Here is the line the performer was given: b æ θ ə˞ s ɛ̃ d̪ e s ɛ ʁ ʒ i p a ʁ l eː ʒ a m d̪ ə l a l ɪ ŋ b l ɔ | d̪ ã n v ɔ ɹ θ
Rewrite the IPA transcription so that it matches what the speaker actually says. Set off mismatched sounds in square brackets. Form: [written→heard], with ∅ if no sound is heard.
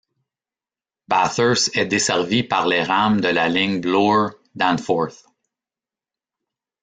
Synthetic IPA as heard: b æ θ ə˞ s [ɛ̃→ɛ] d̪ e s ɛ ʁ [ʒ→v] i p a ʁ l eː [ʒ→ʁ] a m d̪ ə l a l ɪ ŋ b l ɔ | d̪ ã n [v→f] ɔ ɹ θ

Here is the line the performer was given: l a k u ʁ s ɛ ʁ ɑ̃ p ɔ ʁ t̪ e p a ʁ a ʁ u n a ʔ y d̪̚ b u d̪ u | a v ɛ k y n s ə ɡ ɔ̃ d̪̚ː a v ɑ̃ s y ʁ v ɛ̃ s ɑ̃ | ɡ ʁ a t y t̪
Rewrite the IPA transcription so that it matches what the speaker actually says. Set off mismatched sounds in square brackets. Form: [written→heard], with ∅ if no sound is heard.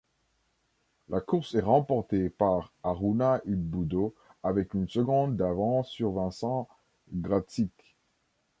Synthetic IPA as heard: l a k u ʁ s ɛ ʁ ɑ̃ p ɔ ʁ t̪ e p a ʁ a ʁ u n a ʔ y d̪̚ b u d̪ [u→o] | a v ɛ k y n s ə ɡ ɔ̃ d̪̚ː a v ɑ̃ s y ʁ v ɛ̃ s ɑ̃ | ɡ ʁ a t [y→i] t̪

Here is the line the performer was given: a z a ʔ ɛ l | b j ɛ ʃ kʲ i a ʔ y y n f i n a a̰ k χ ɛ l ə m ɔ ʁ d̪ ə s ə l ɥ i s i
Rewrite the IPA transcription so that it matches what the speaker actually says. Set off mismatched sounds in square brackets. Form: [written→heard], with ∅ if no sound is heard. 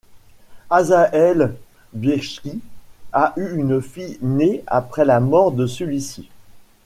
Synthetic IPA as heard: a z a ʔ ɛ l | b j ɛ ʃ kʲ i a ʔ y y n f i n [a→e] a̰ [k→p] χ ɛ l [ə→a] m ɔ ʁ d̪ ə s ə l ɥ i s i

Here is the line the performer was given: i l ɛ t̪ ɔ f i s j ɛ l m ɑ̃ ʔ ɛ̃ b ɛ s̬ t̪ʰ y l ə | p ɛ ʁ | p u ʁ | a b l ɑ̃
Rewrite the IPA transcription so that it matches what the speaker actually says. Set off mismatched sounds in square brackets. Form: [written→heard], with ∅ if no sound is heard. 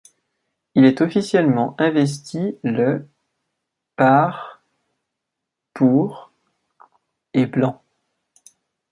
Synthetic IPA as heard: i l ɛ t̪ ɔ f i s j ɛ l m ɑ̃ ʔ ɛ̃ [b→v] ɛ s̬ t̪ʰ [y→i] l ə | p [ɛ→a] ʁ | p u ʁ | [a→e] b l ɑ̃

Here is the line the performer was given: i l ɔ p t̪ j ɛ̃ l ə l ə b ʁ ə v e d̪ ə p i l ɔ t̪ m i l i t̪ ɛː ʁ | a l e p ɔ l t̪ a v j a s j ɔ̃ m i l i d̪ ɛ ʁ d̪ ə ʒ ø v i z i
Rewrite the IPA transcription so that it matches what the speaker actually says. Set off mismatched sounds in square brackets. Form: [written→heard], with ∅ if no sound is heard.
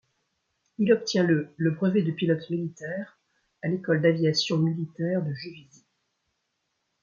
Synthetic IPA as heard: i l ɔ p t̪ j ɛ̃ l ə l ə b ʁ ə v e d̪ ə p i l ɔ t̪ m i l i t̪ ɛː ʁ | a l e [p→k] ɔ l [t̪→d̪] a v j a s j ɔ̃ m i l i [d̪→t̪] ɛ ʁ d̪ ə ʒ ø v i z i

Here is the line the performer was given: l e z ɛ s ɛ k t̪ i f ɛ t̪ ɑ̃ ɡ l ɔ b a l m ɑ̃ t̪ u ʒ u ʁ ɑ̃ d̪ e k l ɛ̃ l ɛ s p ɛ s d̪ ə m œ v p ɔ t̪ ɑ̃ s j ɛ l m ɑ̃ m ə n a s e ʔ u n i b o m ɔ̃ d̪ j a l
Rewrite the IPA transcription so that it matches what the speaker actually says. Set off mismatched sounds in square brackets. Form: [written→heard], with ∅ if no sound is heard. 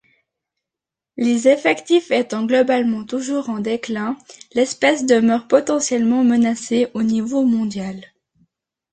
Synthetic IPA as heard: l e z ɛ [s→f] ɛ k t̪ i f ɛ t̪ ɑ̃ ɡ l ɔ b a l m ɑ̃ t̪ u ʒ u ʁ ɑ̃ d̪ e k l ɛ̃ l ɛ s p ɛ s d̪ ə m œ [v→ʁ] p ɔ t̪ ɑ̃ s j ɛ l m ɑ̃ m ə n a s e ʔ [u→o] n i [b→v] o m ɔ̃ d̪ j a l

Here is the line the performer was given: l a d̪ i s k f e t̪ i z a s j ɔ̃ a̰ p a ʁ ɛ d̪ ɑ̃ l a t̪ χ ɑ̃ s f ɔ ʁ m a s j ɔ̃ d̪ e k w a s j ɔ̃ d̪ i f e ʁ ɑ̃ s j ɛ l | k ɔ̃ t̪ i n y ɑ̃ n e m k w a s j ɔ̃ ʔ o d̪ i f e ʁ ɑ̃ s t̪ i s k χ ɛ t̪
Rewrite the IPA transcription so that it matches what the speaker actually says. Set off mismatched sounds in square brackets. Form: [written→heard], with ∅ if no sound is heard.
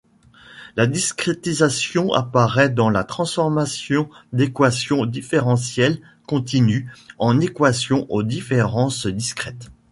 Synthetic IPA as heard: l a d̪ i s k [f→χ] e t̪ i z a s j ɔ̃ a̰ p a ʁ ɛ d̪ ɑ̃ l a t̪ χ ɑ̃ s f ɔ ʁ m a s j ɔ̃ d̪ e k w a s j ɔ̃ d̪ i f e ʁ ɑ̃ s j ɛ l | k ɔ̃ t̪ i n y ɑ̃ n e [m→∅] k w a s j ɔ̃ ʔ o d̪ i f e ʁ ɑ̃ s [t̪→d̪] i s k χ ɛ t̪

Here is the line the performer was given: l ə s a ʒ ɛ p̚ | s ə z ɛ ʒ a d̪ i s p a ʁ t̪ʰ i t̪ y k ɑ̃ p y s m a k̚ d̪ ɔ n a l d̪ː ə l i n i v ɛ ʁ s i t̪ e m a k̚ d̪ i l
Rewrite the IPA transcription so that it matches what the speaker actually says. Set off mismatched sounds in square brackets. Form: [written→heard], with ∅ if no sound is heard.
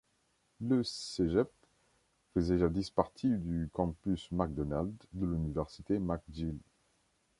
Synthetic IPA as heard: l ə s [a→e] ʒ ɛ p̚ | [s→f] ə z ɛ ʒ a d̪ i s p a ʁ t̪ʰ i [t̪→d̪] y k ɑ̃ p y s m a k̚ d̪ ɔ n a l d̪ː ə l [i→y] n i v ɛ ʁ s i t̪ e m a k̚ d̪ i l

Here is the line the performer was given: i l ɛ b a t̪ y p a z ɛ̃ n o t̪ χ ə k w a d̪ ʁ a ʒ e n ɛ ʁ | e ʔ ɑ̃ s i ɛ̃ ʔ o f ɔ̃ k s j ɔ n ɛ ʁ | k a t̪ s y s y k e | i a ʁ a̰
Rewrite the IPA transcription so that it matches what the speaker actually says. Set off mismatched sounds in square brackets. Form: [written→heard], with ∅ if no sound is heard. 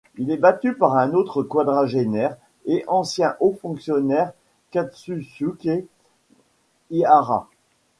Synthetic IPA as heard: i l ɛ b a t̪ y p a [z→ʁ] ɛ̃ n o t̪ χ ə k w a d̪ ʁ a ʒ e n ɛ ʁ | e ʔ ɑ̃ s [i→j] ɛ̃ ʔ o f ɔ̃ k s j ɔ n ɛ ʁ | k a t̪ s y s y k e | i a ʁ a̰

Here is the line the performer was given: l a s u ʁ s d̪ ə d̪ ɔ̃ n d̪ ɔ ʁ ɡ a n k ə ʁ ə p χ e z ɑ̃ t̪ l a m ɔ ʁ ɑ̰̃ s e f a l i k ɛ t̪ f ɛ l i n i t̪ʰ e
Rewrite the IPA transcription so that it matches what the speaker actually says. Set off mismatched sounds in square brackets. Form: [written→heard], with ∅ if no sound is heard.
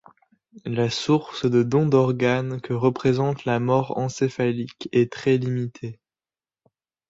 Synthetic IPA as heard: l a s u ʁ s d̪ ə d̪ ɔ̃ [n→∅] d̪ ɔ ʁ ɡ a n k ə ʁ ə p χ e z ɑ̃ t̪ l a m ɔ ʁ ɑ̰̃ s e f a l i k ɛ t̪ [f→χ] ɛ l i [n→m] i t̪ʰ e

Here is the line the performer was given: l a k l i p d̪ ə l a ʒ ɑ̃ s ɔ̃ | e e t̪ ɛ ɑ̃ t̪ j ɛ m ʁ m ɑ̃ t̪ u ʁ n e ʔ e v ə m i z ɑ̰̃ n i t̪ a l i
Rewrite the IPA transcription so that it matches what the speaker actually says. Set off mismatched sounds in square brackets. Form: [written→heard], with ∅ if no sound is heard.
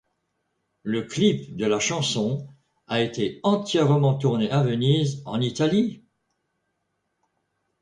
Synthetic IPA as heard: l [a→ə] k l i p d̪ ə l a [ʒ→ʃ] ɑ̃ s ɔ̃ | [e→a] e t̪ [ɛ→e] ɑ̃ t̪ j ɛ [m→∅] ʁ m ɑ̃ t̪ u ʁ n e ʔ [e→a] v ə [m→n] i z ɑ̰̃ n i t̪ a l i

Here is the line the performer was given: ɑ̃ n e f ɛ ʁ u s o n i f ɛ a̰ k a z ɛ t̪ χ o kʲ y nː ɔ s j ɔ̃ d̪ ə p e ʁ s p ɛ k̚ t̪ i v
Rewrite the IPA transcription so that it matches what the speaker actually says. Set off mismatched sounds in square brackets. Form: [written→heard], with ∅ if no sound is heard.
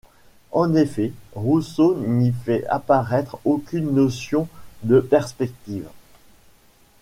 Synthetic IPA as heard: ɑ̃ n e f ɛ ʁ u s o n i f ɛ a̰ [k→p] a [z→ʁ] ɛ t̪ χ o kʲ y nː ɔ s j ɔ̃ d̪ ə p [e→ɛ] ʁ s p ɛ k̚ t̪ i v

